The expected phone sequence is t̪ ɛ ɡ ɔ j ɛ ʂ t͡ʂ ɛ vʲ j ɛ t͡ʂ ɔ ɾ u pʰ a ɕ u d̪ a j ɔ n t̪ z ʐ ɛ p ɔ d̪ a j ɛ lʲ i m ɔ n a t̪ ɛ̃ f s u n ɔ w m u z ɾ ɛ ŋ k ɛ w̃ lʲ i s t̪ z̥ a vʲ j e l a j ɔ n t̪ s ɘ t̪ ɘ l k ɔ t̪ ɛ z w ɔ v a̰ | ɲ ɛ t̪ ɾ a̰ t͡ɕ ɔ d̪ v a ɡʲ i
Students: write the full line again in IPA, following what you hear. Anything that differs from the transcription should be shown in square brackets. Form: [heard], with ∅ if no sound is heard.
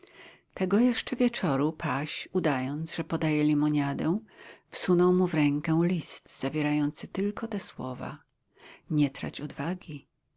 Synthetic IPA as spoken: t̪ ɛ ɡ ɔ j ɛ ʂ t͡ʂ ɛ vʲ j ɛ t͡ʂ ɔ ɾ u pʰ a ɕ u d̪ a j ɔ n t̪ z ʐ ɛ p ɔ d̪ a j ɛ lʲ i m ɔ [ɲ] a [d̪] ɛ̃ f s u n ɔ w m u [v] ɾ ɛ ŋ k ɛ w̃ lʲ i s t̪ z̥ a vʲ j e [ɾ] a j ɔ n t̪ s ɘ t̪ ɘ l k ɔ t̪ ɛ [s] w ɔ v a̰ | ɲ ɛ t̪ ɾ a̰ t͡ɕ ɔ d̪ v a ɡʲ i